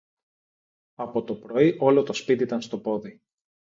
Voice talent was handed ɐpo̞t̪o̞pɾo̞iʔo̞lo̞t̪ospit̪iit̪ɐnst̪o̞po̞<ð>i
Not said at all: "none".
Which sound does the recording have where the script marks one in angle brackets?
ð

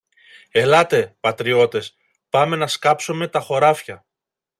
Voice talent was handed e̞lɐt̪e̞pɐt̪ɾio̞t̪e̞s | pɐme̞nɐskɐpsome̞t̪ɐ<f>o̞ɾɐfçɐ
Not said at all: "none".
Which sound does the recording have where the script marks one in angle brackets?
x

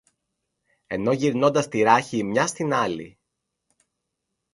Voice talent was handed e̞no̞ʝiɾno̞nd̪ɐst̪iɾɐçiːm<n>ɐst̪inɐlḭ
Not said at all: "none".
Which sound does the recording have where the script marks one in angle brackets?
ɲ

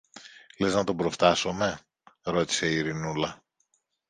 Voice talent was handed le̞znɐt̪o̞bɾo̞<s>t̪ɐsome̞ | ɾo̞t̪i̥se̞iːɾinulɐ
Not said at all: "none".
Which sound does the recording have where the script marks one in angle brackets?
f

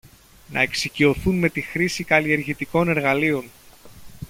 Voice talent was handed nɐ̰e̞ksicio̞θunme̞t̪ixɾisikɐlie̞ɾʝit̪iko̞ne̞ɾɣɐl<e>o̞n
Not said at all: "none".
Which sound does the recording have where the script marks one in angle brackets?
i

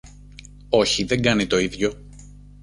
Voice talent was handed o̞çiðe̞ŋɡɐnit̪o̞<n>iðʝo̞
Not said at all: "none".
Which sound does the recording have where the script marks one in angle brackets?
none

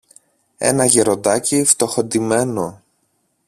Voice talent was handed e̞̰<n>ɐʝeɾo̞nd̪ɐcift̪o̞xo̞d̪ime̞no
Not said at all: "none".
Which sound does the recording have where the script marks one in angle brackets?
n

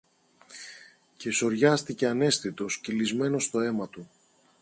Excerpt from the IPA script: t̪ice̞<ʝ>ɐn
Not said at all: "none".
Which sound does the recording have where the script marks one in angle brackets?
none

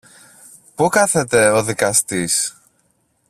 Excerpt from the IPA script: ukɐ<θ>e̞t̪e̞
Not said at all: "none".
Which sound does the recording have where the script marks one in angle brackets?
θ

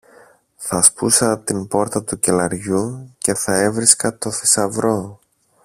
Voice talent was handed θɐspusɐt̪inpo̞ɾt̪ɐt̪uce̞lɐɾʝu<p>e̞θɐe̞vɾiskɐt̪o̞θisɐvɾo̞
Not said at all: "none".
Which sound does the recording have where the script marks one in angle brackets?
c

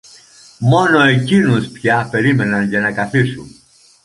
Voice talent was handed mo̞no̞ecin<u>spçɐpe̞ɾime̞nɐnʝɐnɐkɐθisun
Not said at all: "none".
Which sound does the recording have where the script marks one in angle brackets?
u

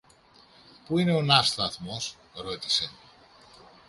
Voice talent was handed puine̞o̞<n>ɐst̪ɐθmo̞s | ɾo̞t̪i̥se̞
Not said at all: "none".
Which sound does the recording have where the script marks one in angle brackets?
n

